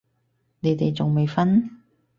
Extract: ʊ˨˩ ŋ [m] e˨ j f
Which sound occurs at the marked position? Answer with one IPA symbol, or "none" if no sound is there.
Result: m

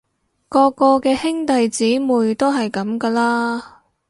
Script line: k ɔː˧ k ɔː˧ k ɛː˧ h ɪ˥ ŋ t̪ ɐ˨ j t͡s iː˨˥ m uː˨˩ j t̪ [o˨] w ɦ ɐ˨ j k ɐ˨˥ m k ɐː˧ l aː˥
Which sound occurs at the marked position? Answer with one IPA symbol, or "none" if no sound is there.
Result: o˥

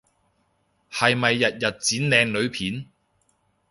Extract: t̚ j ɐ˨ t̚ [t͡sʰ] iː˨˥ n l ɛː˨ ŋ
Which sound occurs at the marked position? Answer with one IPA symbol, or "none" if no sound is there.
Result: t͡s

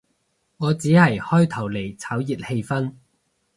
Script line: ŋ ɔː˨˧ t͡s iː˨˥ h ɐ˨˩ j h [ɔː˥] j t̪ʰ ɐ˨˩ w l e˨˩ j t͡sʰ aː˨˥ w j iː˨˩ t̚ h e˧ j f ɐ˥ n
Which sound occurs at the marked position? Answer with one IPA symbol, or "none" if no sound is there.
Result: ɔː˥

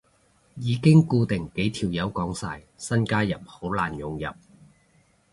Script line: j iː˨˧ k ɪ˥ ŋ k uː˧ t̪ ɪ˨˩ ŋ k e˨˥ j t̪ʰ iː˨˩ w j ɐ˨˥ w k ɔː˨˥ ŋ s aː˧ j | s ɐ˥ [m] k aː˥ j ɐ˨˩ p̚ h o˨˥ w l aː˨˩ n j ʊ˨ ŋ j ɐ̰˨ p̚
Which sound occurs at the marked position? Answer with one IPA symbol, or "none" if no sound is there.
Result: n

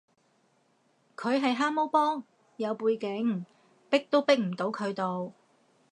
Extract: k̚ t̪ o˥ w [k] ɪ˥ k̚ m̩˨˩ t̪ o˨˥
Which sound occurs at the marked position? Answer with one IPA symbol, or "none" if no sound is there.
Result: p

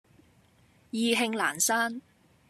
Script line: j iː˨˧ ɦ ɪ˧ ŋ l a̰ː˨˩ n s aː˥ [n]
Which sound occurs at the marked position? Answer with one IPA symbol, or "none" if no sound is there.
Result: n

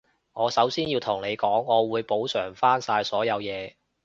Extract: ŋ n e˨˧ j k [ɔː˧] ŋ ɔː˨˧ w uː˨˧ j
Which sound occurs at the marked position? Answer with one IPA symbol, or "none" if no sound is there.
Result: ɔː˨˥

